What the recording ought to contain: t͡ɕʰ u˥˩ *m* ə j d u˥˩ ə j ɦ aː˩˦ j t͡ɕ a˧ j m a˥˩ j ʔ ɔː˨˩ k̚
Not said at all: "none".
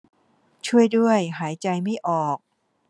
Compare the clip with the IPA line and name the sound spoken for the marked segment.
none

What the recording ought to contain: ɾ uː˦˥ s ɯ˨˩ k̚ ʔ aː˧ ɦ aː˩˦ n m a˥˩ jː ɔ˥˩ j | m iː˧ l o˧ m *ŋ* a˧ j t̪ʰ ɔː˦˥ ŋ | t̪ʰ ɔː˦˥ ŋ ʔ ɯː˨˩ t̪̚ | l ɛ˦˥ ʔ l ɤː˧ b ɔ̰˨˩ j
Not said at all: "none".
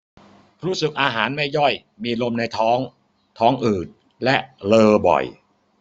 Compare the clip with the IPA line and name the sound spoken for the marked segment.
n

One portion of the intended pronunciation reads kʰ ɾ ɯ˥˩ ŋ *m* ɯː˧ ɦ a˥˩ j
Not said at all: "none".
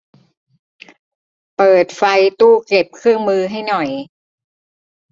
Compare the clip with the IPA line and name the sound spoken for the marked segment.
m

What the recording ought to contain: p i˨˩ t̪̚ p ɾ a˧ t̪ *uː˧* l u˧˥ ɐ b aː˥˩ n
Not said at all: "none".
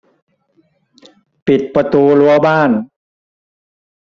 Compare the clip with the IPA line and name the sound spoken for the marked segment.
uː˧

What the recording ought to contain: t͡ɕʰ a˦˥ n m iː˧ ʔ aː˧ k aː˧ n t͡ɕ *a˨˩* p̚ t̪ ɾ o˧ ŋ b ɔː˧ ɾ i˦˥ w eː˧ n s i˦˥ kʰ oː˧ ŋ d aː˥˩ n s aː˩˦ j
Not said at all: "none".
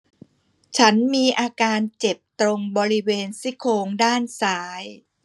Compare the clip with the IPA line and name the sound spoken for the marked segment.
e˨˩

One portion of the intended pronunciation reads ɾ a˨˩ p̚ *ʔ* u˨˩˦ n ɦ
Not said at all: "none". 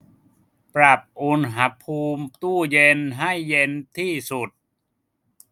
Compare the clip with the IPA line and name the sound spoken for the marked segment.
ʔ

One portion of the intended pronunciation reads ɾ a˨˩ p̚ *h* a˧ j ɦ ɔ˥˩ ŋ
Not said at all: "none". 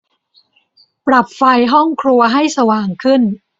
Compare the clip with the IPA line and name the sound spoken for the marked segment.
f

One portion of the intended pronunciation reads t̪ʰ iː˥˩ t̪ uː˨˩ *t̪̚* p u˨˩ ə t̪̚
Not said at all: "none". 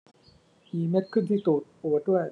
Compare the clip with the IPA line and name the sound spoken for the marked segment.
t̪̚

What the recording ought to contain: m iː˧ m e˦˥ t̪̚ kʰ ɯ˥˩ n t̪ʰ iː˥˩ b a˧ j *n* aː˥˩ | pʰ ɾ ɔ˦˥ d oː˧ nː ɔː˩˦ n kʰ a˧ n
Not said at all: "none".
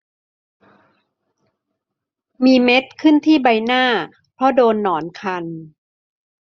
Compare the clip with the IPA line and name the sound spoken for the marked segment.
n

